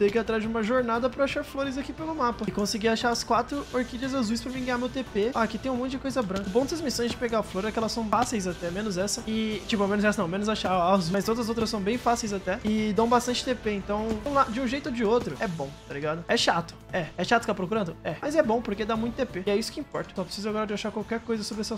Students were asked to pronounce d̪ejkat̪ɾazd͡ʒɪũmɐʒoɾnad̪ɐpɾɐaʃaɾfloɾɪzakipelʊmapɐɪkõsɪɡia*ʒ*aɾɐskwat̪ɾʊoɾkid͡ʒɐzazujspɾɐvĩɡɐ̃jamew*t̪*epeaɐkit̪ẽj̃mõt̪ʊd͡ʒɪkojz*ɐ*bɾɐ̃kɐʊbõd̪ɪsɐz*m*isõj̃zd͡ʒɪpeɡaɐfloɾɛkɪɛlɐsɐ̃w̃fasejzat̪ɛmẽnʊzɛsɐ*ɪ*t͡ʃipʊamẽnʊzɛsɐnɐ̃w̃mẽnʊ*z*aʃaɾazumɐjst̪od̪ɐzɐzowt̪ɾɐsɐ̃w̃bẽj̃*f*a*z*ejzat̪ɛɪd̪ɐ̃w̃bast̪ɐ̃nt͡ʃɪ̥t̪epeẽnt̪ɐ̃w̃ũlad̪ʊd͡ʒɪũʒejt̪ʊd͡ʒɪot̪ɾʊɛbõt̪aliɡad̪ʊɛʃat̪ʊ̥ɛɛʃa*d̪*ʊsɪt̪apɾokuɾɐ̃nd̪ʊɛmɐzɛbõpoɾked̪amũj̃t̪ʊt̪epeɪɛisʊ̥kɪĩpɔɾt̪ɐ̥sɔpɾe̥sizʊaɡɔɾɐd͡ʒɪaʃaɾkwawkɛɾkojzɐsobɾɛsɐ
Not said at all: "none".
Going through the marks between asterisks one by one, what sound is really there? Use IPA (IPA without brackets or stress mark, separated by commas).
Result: ʃ, t̪, ɐ, m, ɪ, z, f, s, t̪